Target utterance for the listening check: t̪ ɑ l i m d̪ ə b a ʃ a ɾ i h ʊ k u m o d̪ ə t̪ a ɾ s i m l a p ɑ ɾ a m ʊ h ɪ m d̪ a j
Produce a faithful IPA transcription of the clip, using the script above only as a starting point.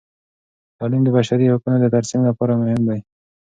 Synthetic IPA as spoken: t̪ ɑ l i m d̪ ə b a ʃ a ɾ i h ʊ k u n o d̪ ə t̪ a ɾ s i m l a p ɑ ɾ a m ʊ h ɪ m d̪ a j